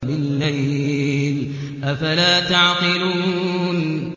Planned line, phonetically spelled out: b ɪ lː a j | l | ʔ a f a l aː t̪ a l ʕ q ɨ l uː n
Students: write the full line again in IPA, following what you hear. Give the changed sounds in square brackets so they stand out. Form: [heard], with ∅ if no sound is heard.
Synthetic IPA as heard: b ɪ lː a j | l | ʔ a f a l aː t̪ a [∅] ʕ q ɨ l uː n